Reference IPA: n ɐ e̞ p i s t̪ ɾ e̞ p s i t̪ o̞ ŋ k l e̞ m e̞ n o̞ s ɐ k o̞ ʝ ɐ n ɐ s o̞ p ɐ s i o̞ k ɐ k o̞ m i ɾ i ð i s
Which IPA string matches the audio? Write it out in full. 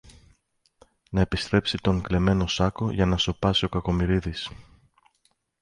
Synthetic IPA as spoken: n ɐ e̞ p i s t̪ ɾ e̞ p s i t̪ o̞ ŋ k l e̞ m e̞ n o̞ s ɐ k o̞ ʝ ɐ n ɐ s o̞ p ɐ s i o̞ k ɐ k o̞ m i ɾ i ð i s